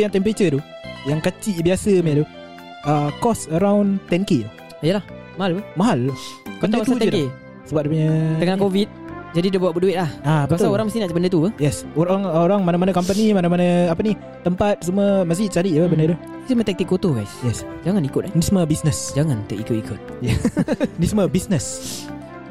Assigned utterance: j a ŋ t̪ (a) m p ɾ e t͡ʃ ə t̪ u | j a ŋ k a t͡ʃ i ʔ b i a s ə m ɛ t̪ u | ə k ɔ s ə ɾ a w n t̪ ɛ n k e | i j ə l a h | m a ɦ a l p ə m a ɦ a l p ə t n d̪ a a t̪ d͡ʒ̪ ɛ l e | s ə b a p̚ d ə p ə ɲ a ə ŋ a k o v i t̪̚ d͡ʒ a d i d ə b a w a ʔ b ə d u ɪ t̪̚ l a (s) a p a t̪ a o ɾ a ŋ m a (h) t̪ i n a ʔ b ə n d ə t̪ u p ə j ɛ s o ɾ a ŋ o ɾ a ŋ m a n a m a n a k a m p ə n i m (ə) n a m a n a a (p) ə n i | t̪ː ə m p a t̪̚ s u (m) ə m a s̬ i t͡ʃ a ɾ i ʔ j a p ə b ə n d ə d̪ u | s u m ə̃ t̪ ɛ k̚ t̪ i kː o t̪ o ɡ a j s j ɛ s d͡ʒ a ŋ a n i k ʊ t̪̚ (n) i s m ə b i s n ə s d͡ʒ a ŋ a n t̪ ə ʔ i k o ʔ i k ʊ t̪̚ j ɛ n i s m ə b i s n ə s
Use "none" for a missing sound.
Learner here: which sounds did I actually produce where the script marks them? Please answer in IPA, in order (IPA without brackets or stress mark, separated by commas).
ɛ, h, s, a, p, m, n